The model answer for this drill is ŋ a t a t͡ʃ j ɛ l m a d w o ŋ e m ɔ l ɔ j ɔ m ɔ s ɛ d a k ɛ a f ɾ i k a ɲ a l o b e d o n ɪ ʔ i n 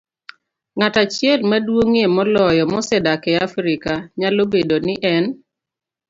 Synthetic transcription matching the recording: ŋ a t a t͡ʃ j ɛ l m a d w o ŋ e m ɔ l ɔ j ɔ m ɔ s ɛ d a k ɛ a f ɾ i k a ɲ a l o b e d o n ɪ ʔ ɛ n